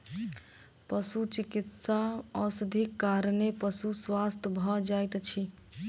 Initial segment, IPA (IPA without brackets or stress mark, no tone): p